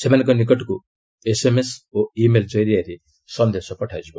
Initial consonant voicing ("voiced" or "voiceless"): voiceless